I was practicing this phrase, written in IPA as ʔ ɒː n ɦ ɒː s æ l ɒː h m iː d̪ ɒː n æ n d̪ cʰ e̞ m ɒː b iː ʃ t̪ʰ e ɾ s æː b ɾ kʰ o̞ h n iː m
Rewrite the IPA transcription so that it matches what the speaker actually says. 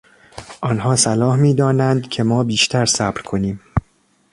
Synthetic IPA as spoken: ʔ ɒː n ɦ ɒː s æ l ɒː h m iː d̪ ɒː n æ n d̪ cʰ e̞ m ɒː b iː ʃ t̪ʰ æ ɾ s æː b ɾ kʰ o̞ n iː m